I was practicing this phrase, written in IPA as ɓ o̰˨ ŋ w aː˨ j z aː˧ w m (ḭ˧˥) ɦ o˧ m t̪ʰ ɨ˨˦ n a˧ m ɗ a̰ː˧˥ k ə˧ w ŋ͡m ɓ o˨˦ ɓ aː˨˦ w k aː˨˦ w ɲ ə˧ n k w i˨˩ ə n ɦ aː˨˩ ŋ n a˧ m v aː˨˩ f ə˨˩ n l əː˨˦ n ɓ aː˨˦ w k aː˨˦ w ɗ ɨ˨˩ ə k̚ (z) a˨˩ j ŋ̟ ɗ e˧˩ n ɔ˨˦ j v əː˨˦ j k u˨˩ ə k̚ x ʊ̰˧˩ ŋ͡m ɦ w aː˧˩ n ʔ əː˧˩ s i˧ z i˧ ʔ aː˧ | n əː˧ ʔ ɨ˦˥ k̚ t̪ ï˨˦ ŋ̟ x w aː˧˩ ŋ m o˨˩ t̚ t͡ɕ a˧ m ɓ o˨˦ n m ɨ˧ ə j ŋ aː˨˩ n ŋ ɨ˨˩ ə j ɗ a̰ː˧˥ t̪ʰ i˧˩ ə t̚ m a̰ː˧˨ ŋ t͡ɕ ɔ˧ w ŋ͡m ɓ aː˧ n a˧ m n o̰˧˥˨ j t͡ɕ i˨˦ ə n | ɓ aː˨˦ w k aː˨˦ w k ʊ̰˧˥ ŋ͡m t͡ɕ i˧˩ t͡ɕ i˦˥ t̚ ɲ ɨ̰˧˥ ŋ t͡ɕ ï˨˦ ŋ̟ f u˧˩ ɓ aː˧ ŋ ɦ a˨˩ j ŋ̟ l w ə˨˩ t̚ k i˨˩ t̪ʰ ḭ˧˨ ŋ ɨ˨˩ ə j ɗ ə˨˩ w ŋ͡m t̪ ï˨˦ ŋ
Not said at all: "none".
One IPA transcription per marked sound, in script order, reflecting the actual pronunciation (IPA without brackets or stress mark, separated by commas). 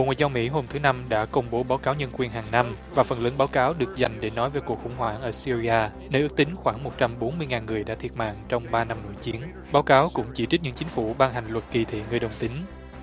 ḭ˧˥, z